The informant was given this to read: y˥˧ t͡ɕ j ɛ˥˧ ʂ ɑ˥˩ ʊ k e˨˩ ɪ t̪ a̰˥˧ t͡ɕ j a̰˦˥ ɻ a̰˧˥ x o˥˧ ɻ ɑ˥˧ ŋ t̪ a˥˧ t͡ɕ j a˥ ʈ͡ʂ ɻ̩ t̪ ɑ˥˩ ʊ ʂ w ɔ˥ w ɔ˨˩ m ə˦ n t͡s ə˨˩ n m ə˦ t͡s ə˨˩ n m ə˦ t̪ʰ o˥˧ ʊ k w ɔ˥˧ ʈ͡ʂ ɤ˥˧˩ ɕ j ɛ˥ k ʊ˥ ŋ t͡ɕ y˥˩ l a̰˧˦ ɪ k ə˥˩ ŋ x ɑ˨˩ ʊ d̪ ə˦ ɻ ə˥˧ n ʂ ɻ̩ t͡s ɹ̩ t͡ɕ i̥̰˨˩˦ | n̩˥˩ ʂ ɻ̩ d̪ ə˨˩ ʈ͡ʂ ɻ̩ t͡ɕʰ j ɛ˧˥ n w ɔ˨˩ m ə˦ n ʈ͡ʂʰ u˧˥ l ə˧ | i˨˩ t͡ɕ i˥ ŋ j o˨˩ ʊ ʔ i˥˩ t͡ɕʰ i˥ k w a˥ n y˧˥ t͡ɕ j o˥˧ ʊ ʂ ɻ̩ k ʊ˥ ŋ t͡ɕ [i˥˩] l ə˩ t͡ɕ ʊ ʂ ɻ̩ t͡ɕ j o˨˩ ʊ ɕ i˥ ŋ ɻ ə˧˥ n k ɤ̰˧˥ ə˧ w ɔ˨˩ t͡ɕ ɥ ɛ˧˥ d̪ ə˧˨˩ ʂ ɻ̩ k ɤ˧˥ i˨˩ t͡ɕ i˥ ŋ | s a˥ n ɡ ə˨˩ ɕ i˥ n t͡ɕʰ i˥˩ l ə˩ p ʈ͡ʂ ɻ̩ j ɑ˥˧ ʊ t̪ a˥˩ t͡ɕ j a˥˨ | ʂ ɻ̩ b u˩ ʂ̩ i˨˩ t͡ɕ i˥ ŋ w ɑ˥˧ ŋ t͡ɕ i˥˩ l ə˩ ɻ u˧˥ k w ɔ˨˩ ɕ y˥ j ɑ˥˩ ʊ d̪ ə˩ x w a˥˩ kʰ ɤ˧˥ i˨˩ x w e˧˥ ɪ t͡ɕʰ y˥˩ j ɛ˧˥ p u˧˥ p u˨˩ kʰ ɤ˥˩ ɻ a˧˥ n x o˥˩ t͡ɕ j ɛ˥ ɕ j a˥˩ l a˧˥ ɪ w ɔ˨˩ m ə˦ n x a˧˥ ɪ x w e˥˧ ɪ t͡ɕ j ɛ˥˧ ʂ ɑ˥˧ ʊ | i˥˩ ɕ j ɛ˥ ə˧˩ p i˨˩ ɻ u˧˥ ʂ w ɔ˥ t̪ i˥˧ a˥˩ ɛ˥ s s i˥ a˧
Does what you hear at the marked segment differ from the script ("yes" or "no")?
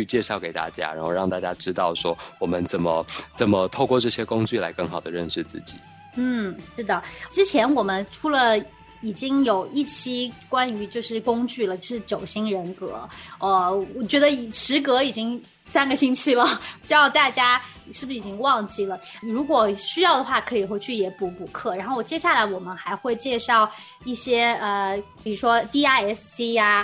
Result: yes